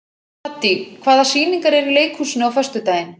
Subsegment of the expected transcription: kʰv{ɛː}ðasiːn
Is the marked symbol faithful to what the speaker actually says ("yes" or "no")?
no